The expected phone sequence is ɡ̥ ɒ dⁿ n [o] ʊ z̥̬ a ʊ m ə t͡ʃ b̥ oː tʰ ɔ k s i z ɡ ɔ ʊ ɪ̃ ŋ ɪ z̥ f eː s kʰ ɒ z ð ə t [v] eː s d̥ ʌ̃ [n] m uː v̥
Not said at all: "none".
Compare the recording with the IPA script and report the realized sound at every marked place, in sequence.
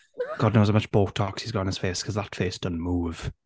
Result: o, f, n

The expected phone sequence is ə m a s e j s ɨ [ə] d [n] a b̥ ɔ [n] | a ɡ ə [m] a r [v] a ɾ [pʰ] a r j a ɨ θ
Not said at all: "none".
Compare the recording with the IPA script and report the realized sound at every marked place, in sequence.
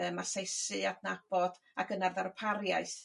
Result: a, n, d, n, ð, pʰ

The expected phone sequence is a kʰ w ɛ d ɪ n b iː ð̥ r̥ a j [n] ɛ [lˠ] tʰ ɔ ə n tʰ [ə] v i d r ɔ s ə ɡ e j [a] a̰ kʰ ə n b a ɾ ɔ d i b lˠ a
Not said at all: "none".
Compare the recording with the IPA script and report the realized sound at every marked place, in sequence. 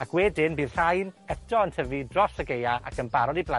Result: n, none, ə, a

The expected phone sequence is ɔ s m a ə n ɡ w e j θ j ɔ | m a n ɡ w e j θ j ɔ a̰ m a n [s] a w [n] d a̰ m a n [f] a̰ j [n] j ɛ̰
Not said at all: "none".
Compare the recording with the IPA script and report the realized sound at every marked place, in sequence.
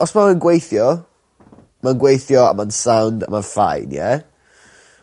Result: s, n, f, n

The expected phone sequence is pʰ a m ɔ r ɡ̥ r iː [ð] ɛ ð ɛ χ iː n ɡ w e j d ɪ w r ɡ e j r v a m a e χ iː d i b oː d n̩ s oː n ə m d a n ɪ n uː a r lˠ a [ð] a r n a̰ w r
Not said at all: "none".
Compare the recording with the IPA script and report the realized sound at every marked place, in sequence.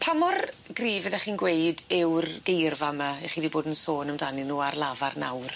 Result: v, v

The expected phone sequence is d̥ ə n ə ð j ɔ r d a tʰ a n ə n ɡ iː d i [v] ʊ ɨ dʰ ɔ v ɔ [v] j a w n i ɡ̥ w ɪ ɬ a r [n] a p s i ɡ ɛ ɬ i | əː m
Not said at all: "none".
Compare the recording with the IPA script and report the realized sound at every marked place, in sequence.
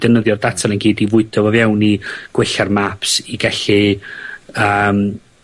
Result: v, v, m

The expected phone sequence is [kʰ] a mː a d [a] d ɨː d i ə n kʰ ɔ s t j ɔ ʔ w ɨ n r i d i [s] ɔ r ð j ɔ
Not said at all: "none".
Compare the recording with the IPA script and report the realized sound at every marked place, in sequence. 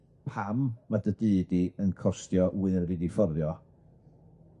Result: pʰ, ə, f

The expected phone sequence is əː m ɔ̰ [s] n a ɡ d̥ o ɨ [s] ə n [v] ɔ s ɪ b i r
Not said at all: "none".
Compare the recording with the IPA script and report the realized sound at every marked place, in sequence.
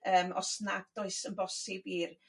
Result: s, s, b

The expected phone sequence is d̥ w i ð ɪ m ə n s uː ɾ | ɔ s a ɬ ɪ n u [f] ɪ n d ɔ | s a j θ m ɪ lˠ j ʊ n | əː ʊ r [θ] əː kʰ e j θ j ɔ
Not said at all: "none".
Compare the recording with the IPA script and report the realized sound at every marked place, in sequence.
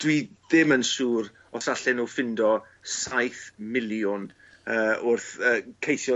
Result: f, θ

